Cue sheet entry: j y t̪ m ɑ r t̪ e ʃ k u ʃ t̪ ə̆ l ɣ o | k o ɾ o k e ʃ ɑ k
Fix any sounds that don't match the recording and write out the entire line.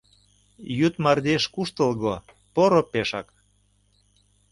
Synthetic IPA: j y t̪ m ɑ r d̪ e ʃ k u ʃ t̪ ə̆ l ɣ o | p o ɾ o p e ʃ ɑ k